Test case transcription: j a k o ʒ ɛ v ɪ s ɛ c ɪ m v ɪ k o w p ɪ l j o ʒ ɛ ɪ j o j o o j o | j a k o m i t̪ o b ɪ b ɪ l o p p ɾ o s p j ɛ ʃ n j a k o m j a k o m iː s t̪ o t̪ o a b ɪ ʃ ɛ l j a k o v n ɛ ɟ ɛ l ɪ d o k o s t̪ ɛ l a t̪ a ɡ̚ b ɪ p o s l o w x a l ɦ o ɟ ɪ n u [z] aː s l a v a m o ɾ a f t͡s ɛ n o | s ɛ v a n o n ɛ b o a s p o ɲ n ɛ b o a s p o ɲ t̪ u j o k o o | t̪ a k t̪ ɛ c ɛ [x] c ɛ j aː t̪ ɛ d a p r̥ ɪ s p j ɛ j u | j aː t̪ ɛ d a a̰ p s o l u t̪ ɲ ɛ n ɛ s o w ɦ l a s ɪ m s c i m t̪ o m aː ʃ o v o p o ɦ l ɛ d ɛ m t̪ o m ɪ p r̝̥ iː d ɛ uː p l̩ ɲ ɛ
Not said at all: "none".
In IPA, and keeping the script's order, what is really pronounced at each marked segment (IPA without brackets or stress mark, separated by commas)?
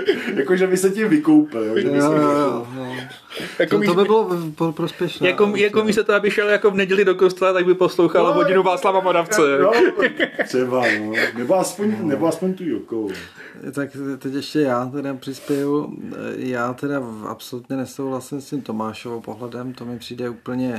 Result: v, ʃ